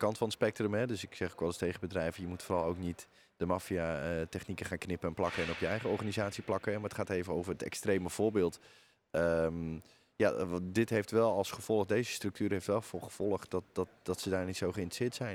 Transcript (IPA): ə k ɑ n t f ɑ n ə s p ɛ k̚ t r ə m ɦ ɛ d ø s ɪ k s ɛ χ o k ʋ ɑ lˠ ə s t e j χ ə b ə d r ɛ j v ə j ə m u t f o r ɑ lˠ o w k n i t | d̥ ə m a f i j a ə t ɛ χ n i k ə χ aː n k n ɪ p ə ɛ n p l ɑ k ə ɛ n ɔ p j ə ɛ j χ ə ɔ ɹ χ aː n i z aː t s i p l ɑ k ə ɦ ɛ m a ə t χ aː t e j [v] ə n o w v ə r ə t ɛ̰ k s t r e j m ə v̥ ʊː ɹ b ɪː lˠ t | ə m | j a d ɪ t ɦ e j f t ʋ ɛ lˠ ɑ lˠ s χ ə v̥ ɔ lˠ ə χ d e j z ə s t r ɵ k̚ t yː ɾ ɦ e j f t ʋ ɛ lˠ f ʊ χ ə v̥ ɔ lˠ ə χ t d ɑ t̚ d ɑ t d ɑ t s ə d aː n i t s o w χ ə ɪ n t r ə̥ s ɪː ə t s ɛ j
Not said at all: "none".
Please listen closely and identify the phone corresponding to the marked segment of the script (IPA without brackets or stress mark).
v